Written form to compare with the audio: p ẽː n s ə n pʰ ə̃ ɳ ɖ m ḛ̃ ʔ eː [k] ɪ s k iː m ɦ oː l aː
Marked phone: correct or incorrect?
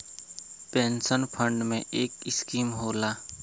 correct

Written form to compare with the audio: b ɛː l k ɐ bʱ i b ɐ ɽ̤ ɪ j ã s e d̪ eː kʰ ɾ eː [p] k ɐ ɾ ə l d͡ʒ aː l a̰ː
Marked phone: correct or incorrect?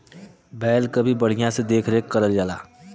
incorrect: k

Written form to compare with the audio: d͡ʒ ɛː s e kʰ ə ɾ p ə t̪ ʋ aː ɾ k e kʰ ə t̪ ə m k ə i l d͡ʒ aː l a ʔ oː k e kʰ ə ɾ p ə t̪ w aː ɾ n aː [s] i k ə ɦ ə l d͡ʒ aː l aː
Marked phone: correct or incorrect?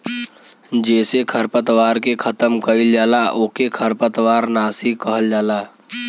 correct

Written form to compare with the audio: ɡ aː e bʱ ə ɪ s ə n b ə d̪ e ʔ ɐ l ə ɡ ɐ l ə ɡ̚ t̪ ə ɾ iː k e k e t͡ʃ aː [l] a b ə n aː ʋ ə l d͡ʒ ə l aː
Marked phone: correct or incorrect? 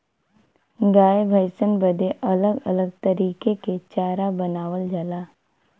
incorrect: ɾ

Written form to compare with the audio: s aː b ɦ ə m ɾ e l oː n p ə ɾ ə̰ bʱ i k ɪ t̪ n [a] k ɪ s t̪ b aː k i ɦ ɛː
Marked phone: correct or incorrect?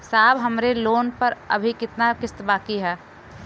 correct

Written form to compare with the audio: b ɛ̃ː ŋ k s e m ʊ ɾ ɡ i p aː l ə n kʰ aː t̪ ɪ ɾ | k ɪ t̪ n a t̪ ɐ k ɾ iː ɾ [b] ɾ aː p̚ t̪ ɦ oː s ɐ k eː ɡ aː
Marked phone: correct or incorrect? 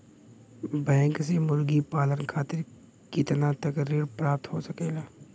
incorrect: p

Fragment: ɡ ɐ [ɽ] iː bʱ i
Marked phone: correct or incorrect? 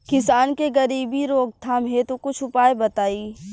incorrect: ɾ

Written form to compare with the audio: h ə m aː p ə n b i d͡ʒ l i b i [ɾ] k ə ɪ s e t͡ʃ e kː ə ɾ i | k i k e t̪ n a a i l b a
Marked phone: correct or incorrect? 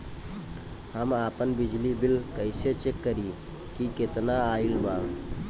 incorrect: l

